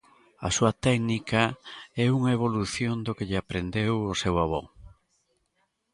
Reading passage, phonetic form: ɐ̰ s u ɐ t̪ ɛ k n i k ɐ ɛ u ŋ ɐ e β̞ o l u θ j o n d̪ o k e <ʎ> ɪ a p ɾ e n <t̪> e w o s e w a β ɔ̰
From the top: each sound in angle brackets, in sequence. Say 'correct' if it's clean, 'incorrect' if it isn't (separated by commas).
correct, incorrect